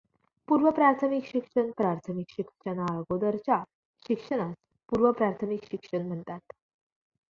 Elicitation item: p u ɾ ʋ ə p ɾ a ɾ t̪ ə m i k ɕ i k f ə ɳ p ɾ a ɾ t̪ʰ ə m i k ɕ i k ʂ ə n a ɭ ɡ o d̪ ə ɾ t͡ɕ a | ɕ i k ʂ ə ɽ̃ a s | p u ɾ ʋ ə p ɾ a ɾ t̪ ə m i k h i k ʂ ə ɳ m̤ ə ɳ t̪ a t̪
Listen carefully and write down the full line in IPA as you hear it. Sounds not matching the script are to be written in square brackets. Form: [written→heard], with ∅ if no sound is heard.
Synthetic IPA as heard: p u ɾ ʋ ə p ɾ a ɾ [t̪→t̪ʰ] ə m i k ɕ i k [f→ʂ] ə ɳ p ɾ a ɾ t̪ʰ ə m i k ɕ i k ʂ ə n a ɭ ɡ o d̪ ə ɾ t͡ɕ a | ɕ i k ʂ ə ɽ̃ a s | p u ɾ ʋ ə p ɾ a ɾ [t̪→t̪ʰ] ə m i k [h→ɕ] i k ʂ ə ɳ m̤ ə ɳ t̪ a t̪